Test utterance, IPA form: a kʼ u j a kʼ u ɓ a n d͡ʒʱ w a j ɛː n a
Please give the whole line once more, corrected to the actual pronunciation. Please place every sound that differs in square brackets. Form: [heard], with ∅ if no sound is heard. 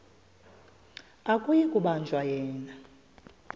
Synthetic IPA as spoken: a kʼ u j [i] kʼ u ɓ a n d͡ʒʱ w a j ɛː n a